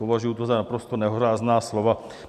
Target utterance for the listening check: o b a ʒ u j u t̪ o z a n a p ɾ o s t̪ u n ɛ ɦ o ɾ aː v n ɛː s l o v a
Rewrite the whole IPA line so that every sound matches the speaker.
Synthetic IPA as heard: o v a ʒ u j u t̪ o z a n a p ɾ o s t̪ o n ɛ ɦ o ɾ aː z n aː s l o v a